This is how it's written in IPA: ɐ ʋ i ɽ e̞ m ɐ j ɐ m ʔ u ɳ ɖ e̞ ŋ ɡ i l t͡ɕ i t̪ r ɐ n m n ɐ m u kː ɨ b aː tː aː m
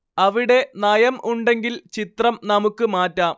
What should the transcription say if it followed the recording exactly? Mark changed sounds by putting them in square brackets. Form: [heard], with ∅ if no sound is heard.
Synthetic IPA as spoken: ɐ ʋ i ɽ e̞ [n] ɐ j ɐ m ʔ u ɳ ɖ e̞ ŋ ɡ i l t͡ɕ i t̪ r ɐ [∅] m n ɐ m u kː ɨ [m] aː tː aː m